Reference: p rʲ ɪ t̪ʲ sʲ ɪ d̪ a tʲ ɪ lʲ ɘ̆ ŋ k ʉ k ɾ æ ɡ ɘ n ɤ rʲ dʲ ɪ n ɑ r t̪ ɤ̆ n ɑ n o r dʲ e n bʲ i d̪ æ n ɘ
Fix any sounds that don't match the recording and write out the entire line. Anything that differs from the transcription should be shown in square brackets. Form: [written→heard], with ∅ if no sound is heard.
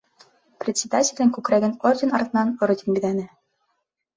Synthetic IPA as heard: p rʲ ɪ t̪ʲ sʲ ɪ d̪ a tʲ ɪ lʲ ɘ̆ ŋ k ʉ k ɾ æ ɡ ɘ n [ɤ→o] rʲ dʲ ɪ n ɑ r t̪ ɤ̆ n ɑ n o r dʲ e n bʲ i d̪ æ n ɘ